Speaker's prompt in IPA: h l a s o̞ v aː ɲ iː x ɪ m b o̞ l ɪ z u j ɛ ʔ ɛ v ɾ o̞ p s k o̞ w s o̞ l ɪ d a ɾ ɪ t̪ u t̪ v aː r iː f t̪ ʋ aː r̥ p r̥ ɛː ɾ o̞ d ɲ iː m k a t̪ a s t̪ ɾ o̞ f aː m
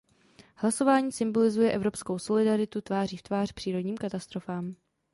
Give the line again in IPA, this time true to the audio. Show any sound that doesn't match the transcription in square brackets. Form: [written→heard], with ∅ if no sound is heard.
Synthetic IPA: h l a s o̞ v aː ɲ iː [x→s] ɪ m b o̞ l ɪ z u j ɛ ʔ ɛ v ɾ o̞ p s k o̞ w s o̞ l ɪ d a ɾ ɪ t̪ u t̪ v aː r iː f t̪ [ʋ→v] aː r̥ p r̥ [ɛː→iː] ɾ o̞ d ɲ iː m k a t̪ a s t̪ ɾ o̞ f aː m